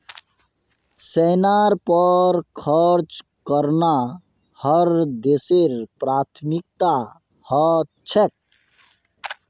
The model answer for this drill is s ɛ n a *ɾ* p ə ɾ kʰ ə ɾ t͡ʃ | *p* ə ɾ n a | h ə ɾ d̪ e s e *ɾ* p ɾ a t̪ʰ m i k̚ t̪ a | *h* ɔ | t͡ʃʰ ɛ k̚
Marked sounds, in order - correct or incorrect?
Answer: correct, incorrect, correct, correct

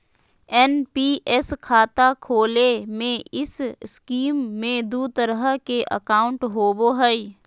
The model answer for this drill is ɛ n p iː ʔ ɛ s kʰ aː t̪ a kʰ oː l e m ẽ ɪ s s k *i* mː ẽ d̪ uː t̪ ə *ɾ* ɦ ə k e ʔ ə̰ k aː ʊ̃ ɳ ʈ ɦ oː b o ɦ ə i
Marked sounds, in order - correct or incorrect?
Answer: incorrect, correct

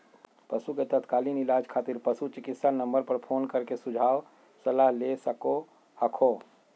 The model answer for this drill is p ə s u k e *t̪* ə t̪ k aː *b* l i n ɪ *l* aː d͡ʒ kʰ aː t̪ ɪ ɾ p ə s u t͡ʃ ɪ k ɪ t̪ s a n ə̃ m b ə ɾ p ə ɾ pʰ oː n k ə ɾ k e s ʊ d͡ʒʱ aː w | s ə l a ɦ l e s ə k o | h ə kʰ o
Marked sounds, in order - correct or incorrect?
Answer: correct, incorrect, correct

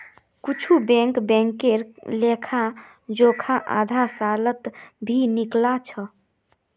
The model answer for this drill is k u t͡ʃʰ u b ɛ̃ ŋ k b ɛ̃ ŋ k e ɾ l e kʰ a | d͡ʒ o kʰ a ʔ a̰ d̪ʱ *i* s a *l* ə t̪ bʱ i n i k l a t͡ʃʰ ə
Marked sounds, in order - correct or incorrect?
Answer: incorrect, correct

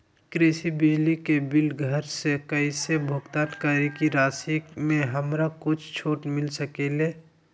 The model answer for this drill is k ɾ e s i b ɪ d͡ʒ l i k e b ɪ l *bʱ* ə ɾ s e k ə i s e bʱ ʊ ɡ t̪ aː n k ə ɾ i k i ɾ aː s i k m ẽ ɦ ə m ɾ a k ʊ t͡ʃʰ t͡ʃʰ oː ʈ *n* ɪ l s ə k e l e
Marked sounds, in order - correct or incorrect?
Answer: incorrect, incorrect

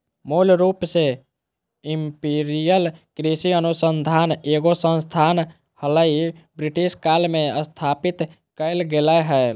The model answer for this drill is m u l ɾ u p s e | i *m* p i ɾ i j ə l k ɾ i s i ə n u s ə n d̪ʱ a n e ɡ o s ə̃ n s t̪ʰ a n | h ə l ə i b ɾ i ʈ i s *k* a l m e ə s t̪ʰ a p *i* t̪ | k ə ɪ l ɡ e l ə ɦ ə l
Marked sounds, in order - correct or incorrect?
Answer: correct, correct, correct

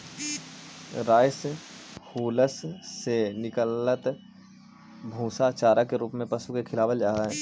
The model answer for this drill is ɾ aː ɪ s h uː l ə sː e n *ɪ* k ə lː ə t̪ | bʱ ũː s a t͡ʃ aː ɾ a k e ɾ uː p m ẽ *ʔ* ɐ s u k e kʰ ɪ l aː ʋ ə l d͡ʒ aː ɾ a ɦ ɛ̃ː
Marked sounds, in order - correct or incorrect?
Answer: correct, incorrect

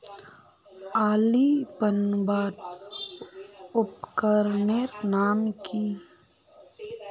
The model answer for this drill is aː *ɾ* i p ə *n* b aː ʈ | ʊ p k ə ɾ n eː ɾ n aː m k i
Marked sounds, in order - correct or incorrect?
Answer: incorrect, correct

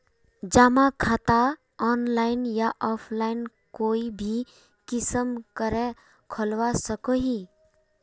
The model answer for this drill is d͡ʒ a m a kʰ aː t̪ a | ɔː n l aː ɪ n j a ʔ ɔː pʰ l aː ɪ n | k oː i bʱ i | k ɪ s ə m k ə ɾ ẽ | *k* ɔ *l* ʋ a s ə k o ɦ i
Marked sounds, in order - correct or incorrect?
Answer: incorrect, correct

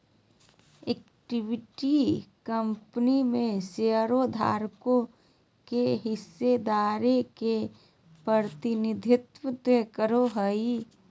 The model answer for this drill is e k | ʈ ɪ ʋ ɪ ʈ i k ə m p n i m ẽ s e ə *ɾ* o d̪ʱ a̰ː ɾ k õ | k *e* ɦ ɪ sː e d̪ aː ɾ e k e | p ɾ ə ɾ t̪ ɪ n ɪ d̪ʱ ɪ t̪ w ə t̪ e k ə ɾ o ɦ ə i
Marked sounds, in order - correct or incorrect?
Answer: correct, correct

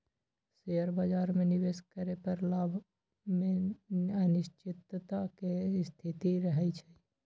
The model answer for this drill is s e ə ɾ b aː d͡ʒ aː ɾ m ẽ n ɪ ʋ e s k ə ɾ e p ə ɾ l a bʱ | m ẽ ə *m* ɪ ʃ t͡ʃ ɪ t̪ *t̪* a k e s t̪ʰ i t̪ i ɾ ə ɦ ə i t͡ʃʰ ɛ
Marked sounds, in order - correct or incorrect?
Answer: incorrect, correct

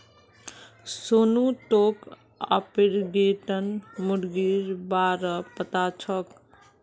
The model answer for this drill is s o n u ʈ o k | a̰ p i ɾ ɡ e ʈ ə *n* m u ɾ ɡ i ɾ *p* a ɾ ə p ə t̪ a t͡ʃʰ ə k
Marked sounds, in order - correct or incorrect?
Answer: correct, incorrect

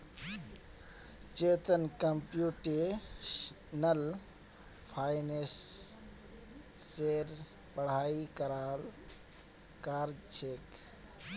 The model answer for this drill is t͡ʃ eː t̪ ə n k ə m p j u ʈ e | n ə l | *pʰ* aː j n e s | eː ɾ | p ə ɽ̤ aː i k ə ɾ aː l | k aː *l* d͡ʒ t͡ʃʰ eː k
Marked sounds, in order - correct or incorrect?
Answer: correct, incorrect

